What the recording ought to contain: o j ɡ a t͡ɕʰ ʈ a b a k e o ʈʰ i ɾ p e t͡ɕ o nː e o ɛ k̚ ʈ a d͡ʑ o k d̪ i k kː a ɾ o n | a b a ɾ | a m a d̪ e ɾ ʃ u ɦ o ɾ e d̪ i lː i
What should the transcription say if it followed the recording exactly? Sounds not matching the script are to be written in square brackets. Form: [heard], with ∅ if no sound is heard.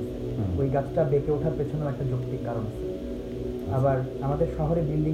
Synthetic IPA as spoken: o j ɡ a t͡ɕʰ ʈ a b [e] k e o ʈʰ [a] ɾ p e [t͡ɕʰ] o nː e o ɛ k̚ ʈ a d͡ʑ o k [t̪] i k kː a ɾ o n | a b a ɾ | a m a d̪ e ɾ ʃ [ɔ] ɦ o ɾ e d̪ i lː i